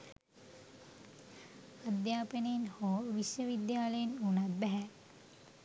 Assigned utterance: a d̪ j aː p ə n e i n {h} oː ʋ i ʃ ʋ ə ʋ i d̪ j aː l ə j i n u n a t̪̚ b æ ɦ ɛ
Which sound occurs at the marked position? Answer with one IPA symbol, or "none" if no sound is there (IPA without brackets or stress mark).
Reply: h